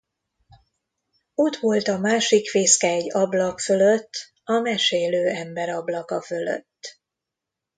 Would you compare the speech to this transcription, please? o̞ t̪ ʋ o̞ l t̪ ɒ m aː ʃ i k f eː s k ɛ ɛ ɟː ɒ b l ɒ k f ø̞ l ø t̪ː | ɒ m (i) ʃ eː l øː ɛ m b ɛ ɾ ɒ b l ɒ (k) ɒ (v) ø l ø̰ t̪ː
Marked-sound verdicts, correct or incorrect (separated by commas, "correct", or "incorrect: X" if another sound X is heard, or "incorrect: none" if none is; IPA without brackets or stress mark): incorrect: ɛ, correct, incorrect: f